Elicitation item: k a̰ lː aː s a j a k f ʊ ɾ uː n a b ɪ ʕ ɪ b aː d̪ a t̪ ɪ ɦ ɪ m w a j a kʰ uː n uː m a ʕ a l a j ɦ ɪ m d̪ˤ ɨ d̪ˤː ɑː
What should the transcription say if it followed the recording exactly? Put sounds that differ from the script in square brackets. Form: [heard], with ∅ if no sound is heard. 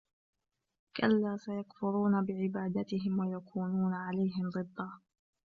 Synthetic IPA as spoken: k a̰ lː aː s a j a k f ʊ ɾ uː n a b ɪ ʕ ɪ b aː d̪ a t̪ ɪ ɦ ɪ m w a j a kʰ uː n uː [n] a ʕ a l a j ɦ ɪ m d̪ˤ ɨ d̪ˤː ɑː